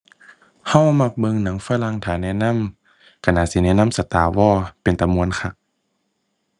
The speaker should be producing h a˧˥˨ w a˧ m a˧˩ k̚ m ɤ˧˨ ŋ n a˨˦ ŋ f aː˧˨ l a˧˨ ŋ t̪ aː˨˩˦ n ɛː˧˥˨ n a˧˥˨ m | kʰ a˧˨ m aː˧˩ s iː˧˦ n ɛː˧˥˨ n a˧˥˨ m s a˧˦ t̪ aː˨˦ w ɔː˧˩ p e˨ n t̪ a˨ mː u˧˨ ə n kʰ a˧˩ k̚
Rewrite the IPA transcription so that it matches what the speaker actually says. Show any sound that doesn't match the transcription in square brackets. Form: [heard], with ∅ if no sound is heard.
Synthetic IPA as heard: h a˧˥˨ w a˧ m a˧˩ k̚ [b] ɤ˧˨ ŋ n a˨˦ ŋ f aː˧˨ l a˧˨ ŋ [t̪ʰ] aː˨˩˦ n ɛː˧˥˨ n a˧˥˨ m | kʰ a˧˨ [n] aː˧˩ s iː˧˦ n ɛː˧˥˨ n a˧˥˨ m s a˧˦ t̪ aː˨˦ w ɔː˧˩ p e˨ n t̪ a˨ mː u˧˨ ə n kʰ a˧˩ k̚